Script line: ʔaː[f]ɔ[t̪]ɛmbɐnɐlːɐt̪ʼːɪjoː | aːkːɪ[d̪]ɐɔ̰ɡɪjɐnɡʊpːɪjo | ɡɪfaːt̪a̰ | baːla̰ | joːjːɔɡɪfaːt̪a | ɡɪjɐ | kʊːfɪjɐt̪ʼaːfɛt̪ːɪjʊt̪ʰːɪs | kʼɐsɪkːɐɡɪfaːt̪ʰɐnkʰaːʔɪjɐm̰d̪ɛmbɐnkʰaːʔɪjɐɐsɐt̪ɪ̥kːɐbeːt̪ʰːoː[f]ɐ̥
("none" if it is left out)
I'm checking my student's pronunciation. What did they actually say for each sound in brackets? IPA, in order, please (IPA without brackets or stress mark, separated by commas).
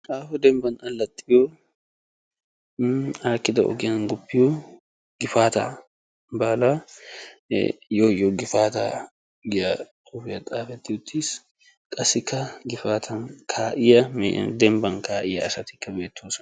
f, d̪, d̪, s